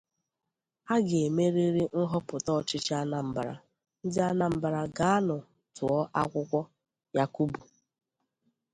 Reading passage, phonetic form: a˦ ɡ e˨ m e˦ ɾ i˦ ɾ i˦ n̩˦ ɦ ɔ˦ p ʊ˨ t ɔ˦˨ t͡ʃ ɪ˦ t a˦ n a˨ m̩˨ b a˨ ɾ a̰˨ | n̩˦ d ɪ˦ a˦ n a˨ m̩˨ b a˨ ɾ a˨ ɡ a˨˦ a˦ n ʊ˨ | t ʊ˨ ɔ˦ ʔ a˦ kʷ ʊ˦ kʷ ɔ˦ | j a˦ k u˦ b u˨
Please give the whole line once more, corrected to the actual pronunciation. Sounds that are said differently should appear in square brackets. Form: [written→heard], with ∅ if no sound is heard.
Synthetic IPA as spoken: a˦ ɡ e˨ m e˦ ɾ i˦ ɾ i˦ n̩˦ ɦ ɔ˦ p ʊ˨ t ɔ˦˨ t͡ʃ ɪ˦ [t→t͡ʃ] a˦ n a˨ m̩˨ b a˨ ɾ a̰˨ | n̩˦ d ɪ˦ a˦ n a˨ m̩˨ b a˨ ɾ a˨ ɡ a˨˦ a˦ n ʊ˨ | t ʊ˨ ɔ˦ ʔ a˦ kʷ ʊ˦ kʷ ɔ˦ | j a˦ k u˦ b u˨

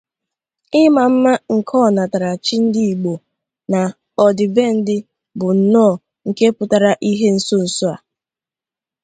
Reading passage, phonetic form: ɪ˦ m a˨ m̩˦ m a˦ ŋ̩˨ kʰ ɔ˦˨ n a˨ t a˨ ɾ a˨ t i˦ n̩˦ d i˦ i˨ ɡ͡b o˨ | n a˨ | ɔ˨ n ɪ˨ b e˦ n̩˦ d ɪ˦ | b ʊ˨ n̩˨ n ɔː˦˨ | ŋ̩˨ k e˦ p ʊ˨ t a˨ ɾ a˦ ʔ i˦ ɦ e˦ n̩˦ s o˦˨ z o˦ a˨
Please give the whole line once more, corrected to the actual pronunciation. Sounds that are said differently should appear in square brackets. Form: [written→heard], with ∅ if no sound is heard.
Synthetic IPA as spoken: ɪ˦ m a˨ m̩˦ m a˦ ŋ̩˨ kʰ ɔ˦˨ n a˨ t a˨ ɾ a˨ [t→t͡ʃ] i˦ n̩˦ d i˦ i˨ ɡ͡b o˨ | n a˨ | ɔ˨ [n→d] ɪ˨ b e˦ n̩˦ d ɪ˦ | b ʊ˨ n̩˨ n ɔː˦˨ | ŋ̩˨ k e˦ p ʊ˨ t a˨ ɾ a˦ ʔ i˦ ɦ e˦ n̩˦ s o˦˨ [z→s] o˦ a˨

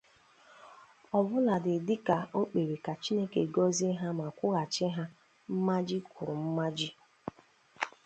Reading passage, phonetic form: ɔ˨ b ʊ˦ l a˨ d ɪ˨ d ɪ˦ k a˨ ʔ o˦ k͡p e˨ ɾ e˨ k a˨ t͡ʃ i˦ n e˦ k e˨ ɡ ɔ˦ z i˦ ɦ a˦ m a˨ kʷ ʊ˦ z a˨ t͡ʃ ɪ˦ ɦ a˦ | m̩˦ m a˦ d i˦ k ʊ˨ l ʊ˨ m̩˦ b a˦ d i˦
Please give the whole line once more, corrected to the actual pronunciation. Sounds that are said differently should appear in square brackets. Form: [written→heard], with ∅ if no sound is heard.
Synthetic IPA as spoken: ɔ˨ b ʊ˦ l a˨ d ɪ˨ d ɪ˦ k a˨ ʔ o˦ k͡p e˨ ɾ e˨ k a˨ t͡ʃ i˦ n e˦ k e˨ ɡ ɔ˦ z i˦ ɦ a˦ m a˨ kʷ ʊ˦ [z→ɣ] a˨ t͡ʃ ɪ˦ ɦ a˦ | m̩˦ m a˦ [d→d͡ʒ] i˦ k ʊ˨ [l→ɾ] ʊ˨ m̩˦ [b→m] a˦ [d→d͡ʒ] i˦

